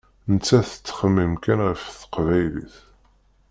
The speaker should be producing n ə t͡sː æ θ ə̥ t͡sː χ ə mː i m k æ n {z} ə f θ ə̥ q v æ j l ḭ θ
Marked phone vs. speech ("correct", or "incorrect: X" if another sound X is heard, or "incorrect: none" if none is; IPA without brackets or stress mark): incorrect: ʁ